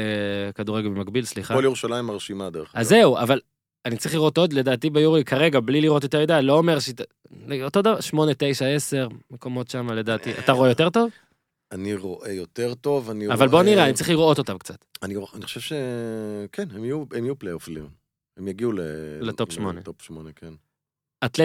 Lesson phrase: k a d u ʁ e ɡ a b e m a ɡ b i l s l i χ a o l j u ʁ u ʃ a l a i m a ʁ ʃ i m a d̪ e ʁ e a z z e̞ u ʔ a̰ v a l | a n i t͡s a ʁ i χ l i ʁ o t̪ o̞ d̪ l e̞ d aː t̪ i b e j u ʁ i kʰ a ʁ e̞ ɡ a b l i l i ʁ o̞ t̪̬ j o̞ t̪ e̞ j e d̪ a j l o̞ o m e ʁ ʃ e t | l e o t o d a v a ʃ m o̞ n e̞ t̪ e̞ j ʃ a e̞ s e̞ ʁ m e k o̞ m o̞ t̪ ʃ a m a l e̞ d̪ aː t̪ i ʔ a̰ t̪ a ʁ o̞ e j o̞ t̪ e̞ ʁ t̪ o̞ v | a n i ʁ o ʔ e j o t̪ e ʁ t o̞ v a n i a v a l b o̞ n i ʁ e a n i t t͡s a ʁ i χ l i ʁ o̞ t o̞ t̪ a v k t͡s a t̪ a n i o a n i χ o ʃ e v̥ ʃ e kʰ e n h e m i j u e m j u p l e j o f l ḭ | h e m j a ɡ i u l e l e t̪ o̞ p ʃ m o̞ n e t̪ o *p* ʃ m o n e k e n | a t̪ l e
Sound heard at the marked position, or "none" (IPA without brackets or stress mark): p